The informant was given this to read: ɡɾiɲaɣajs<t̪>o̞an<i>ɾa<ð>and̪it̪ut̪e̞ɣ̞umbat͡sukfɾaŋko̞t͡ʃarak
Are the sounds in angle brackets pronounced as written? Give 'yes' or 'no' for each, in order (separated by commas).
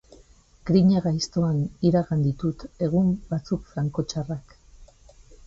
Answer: yes, yes, no